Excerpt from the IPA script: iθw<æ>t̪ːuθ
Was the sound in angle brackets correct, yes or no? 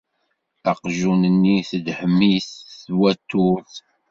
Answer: yes